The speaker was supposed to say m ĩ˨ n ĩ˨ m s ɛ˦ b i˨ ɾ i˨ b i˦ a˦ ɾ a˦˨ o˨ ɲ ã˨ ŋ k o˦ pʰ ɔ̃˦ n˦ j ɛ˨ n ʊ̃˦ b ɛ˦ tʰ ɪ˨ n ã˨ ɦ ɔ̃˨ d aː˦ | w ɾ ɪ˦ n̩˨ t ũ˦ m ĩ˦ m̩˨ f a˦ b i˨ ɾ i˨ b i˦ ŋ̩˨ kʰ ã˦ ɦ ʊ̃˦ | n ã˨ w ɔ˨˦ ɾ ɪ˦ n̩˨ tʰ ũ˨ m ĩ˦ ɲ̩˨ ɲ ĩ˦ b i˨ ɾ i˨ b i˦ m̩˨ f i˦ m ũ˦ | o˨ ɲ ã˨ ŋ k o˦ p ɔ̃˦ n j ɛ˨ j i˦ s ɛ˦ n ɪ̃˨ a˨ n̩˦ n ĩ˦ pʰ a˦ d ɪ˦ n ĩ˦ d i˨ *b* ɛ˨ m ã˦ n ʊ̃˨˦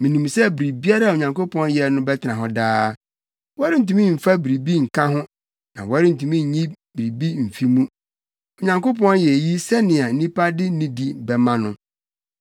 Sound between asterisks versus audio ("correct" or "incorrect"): correct